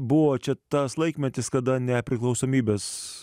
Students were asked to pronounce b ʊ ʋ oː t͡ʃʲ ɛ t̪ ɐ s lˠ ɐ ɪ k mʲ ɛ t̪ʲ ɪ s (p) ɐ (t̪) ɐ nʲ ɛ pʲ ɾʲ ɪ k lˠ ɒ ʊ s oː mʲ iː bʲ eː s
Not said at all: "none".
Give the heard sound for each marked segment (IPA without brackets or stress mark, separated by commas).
k, d̪